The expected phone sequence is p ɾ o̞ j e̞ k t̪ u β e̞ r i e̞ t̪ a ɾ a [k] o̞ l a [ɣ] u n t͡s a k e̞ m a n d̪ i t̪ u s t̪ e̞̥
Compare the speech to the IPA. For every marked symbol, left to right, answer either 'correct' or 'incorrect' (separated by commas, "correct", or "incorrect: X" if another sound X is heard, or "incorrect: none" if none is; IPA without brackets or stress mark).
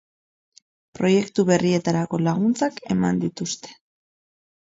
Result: correct, correct